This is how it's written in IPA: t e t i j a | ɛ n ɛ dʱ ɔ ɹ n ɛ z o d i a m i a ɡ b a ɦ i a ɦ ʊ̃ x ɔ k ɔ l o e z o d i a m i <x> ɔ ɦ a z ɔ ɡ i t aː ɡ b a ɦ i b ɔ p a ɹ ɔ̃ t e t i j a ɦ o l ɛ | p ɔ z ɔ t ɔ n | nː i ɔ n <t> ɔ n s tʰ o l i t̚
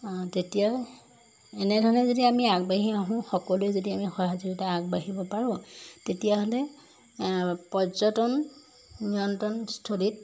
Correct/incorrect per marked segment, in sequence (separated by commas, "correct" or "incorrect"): correct, correct